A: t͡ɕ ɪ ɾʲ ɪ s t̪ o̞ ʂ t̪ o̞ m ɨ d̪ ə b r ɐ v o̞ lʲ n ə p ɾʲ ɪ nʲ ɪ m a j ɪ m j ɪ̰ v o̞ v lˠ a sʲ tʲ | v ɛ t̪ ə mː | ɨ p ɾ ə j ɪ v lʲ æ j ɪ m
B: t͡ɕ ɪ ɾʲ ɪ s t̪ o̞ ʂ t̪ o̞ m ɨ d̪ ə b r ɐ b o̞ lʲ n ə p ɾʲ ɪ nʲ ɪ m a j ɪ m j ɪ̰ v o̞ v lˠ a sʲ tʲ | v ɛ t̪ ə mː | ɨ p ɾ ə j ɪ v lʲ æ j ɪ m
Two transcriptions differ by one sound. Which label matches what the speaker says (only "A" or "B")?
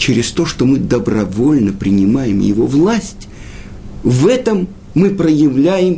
A